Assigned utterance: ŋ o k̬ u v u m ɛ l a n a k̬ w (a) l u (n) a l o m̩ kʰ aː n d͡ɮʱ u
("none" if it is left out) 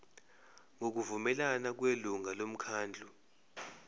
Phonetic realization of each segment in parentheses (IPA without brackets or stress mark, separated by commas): e, ŋ